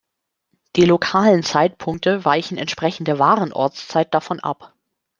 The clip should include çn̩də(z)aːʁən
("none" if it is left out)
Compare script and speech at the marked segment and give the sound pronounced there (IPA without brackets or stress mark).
v